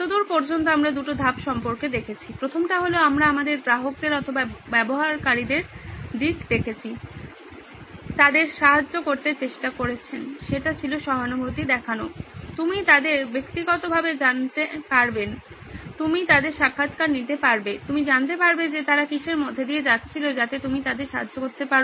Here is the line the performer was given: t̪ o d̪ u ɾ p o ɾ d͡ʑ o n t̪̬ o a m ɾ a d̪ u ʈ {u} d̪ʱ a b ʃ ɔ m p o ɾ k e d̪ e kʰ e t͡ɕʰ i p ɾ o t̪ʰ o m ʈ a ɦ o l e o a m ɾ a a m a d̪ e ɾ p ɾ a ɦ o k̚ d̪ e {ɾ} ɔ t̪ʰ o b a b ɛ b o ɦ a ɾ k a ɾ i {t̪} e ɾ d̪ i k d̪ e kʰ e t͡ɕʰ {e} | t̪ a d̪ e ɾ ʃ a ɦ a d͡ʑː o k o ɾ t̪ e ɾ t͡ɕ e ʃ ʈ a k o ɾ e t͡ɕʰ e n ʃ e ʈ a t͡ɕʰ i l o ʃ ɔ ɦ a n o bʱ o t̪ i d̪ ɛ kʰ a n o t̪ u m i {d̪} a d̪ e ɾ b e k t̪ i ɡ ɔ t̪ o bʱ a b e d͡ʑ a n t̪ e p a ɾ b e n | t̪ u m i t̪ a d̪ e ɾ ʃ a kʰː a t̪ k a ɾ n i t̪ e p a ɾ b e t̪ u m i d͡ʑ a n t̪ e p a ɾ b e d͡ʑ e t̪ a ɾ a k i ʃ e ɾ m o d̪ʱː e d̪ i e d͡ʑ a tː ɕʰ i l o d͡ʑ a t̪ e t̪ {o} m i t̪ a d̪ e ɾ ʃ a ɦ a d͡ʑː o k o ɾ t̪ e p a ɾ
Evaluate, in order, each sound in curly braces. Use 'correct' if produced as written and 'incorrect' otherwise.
incorrect, correct, incorrect, incorrect, incorrect, incorrect

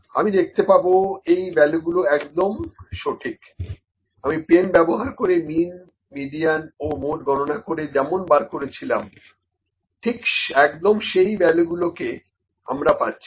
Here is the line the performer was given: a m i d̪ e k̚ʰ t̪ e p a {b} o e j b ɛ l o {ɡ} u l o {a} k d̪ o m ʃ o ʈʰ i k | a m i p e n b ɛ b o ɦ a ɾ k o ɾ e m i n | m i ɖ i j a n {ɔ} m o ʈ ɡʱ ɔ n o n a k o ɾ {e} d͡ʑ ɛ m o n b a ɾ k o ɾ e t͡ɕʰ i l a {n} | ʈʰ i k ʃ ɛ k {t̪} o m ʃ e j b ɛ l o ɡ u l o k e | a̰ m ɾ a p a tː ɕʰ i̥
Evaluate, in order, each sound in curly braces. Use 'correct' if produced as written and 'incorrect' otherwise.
correct, correct, incorrect, incorrect, correct, incorrect, incorrect

